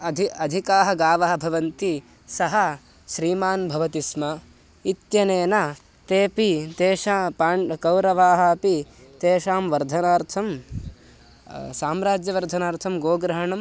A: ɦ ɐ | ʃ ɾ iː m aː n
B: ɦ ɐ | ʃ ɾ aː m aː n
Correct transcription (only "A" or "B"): A